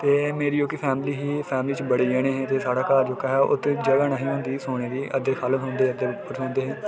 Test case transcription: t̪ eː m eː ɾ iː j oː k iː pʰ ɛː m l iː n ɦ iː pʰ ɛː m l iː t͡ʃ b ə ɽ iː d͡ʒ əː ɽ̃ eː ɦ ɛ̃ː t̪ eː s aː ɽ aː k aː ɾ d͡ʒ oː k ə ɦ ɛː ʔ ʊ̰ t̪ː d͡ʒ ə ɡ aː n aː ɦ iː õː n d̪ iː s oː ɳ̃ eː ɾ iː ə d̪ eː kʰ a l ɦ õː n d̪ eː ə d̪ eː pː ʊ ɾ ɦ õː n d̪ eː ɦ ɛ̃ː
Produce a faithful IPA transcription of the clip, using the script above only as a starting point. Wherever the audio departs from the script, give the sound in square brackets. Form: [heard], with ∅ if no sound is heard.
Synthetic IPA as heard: t̪ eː m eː ɾ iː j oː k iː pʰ ɛː m l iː [∅] ɦ iː pʰ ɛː m l iː t͡ʃ b ə ɽ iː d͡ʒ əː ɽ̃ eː ɦ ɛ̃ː t̪ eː s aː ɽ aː k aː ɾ d͡ʒ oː k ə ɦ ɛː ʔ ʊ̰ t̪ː d͡ʒ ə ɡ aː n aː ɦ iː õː n d̪ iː s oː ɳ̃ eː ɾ iː ə d̪ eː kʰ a l ɦ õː n d̪ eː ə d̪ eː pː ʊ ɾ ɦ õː n d̪ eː ɦ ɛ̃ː

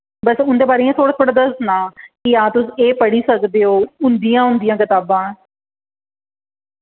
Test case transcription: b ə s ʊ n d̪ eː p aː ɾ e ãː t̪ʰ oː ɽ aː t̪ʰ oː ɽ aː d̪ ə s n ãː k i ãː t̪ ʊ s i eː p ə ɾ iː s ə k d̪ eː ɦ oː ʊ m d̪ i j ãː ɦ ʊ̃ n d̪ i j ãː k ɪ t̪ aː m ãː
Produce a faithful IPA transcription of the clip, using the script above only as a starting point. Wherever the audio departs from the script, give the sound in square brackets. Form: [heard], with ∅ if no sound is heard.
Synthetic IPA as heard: b ə s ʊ n d̪ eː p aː ɾ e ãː t̪ʰ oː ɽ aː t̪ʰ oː ɽ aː d̪ ə s n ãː k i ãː t̪ ʊ s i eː p ə [ɽ] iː s ə k d̪ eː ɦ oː ʊ [n] d̪ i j ãː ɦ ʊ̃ n d̪ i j ãː k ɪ t̪ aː [b] ãː

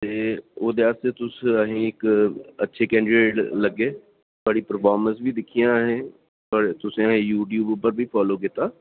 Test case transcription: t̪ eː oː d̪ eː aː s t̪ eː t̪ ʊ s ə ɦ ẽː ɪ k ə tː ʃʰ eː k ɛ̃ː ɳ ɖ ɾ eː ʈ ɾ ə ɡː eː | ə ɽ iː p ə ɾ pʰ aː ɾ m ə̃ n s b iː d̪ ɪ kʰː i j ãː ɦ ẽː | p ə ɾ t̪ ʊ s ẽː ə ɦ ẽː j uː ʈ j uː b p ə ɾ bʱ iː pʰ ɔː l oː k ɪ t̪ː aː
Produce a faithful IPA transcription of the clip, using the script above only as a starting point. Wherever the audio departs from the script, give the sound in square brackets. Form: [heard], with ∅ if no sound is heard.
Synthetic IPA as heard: t̪ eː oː d̪ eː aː s t̪ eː t̪ ʊ s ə ɦ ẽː ɪ k ə tː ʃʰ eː k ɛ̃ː ɳ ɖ ɾ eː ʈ [l] ə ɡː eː | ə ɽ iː p ə ɾ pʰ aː ɾ m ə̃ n s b iː d̪ ɪ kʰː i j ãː ɦ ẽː | p ə ɾ t̪ ʊ s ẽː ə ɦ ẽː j uː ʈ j uː b p ə ɾ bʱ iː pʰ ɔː l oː k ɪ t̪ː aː

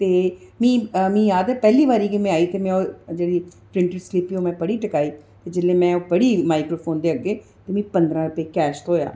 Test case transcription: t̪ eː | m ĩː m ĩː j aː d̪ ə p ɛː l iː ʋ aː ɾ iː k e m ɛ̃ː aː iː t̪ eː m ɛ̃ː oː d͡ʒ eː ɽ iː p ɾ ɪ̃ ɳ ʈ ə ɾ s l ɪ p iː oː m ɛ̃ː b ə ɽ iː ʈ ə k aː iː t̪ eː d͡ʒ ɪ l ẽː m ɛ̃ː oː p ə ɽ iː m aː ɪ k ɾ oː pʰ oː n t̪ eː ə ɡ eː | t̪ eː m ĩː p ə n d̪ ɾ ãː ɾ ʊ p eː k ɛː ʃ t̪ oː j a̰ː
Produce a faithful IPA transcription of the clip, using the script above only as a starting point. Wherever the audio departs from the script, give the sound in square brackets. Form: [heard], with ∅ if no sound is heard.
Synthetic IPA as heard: t̪ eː | m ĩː m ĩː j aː d̪ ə p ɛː l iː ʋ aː ɾ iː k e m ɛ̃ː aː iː t̪ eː m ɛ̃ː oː d͡ʒ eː ɽ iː p ɾ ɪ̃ ɳ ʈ ə ɾ s l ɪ p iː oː m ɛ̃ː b ə ɽ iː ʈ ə k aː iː t̪ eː d͡ʒ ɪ l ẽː m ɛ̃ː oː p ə ɽ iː m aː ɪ k ɾ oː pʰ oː n [d̪] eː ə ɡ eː | t̪ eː m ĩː p ə n d̪ ɾ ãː ɾ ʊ p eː k ɛː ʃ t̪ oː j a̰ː

